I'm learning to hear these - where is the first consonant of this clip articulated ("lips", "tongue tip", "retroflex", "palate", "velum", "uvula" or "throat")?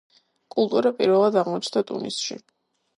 velum